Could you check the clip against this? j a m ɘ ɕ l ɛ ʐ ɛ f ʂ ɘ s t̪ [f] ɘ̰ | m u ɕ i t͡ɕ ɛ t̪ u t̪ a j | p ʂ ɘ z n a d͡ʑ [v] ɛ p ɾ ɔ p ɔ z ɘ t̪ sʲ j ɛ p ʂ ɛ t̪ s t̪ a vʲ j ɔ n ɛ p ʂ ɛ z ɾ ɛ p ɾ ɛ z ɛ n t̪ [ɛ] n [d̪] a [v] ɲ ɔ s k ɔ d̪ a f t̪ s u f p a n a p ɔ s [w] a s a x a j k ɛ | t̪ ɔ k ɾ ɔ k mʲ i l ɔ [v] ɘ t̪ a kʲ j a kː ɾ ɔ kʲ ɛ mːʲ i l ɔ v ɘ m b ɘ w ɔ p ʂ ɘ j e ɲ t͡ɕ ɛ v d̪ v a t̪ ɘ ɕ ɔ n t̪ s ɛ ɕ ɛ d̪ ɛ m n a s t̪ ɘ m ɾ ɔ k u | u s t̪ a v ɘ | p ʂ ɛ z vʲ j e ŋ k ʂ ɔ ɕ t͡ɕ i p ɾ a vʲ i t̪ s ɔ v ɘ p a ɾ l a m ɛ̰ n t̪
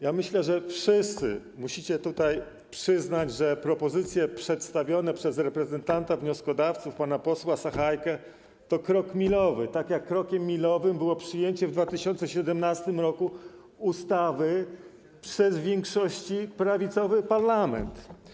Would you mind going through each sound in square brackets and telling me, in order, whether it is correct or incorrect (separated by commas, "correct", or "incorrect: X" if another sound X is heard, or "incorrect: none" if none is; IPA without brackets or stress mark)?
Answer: incorrect: s, incorrect: ʐ, incorrect: a, incorrect: t̪, correct, correct, correct